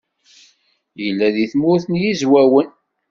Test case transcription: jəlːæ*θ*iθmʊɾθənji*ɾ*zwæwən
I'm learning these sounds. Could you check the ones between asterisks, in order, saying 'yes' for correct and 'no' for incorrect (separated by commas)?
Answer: no, no